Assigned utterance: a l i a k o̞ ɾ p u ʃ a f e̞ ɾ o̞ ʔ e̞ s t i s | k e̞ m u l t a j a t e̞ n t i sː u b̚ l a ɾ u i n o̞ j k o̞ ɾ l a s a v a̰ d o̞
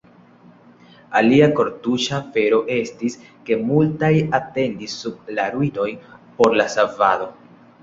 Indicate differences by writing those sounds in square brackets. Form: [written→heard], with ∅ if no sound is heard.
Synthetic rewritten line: a l i a k o̞ ɾ [p→t] u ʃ a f e̞ ɾ o̞ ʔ e̞ s t i s | k e̞ m u l t a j a t e̞ n [t→d] i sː u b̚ l a ɾ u i n o̞ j [k→p] o̞ ɾ l a s a v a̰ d o̞